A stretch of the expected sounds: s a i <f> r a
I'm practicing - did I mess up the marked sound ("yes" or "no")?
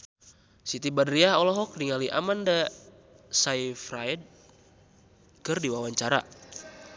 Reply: no